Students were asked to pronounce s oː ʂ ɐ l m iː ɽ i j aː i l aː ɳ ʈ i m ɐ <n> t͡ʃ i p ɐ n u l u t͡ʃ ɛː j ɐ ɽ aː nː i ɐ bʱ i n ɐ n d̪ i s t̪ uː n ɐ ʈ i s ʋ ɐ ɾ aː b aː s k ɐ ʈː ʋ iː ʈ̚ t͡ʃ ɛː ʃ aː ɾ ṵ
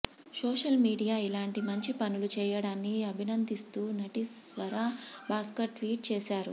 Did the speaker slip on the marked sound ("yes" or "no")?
yes